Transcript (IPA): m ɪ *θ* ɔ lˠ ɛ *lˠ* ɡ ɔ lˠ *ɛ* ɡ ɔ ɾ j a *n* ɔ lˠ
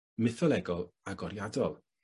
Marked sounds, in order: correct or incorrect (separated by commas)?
correct, incorrect, incorrect, incorrect